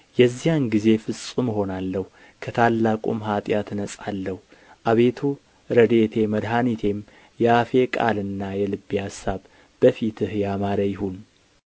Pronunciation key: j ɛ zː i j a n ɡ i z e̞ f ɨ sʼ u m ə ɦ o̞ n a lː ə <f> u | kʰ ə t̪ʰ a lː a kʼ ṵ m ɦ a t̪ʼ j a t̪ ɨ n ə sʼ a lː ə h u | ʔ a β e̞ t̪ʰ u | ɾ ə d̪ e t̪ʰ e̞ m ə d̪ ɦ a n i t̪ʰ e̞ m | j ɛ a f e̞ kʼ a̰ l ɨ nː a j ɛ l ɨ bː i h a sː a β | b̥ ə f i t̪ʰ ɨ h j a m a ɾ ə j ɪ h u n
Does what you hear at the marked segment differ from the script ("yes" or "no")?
yes